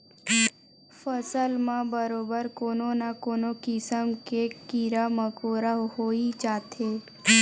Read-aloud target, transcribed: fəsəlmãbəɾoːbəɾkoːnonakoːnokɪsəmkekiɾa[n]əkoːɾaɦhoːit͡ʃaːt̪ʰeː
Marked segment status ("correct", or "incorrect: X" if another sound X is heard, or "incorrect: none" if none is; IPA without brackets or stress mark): incorrect: m